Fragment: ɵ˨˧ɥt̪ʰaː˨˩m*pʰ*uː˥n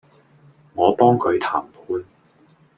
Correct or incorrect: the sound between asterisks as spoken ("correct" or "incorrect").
correct